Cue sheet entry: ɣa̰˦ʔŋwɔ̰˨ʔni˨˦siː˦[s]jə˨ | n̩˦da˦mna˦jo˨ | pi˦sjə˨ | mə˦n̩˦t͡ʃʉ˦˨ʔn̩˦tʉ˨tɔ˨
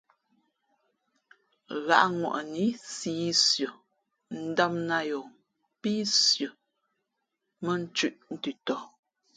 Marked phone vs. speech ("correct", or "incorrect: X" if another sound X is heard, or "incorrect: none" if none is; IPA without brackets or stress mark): correct